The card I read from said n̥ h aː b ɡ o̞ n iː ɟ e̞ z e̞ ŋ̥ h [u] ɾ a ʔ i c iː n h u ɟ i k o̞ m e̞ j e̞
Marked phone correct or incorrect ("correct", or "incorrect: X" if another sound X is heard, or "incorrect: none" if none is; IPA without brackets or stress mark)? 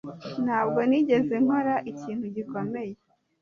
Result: incorrect: o